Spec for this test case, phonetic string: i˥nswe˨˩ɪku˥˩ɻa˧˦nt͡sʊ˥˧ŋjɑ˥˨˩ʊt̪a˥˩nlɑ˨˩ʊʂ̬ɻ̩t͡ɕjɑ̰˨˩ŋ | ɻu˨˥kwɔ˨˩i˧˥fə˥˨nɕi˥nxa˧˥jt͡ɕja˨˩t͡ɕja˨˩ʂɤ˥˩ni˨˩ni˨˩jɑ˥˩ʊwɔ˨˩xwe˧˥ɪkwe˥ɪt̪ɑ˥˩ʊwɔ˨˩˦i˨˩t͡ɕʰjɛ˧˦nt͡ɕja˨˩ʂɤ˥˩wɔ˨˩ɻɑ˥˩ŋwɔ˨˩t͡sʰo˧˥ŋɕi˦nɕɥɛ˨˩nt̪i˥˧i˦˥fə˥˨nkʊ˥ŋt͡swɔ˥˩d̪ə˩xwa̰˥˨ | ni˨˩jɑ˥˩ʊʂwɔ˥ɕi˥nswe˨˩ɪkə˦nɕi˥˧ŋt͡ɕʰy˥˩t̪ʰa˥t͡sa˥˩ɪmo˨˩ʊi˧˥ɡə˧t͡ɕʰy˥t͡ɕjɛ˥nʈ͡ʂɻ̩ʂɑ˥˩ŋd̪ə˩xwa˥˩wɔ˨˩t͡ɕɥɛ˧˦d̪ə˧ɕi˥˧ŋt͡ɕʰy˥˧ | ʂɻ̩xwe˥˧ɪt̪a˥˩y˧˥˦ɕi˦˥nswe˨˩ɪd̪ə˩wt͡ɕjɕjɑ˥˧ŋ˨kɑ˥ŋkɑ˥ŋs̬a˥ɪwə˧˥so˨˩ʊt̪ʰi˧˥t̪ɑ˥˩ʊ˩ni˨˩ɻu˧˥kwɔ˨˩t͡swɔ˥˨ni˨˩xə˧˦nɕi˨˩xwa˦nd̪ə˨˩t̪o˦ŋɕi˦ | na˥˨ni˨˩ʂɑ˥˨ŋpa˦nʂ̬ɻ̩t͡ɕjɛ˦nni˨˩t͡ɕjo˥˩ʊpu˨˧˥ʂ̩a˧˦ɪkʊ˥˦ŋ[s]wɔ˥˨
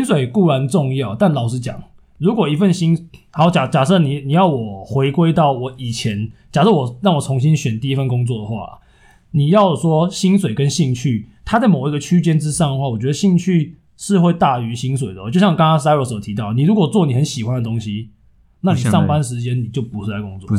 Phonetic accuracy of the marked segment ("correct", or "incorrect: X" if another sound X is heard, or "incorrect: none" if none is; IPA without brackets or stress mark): incorrect: t͡s